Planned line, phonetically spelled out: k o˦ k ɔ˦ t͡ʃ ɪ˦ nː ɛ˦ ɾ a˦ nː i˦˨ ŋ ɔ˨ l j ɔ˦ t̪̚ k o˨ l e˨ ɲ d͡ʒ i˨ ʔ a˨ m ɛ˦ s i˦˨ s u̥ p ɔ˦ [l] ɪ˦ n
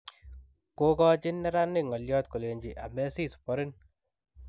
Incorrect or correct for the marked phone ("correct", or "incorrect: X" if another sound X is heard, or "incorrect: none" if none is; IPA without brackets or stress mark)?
incorrect: ɾ